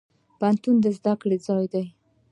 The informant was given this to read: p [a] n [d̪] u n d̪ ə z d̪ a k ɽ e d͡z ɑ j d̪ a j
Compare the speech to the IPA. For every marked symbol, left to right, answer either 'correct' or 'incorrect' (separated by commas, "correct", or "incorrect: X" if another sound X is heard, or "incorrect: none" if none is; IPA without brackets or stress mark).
correct, incorrect: t̪